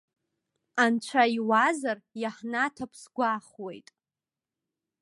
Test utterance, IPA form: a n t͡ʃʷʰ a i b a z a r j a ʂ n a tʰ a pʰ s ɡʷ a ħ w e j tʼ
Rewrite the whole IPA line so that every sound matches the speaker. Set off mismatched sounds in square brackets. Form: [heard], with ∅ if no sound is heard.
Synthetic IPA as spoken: a n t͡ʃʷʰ a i [w] a z a r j a [ħ] n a tʰ a pʰ s ɡʷ a [χ] w e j tʼ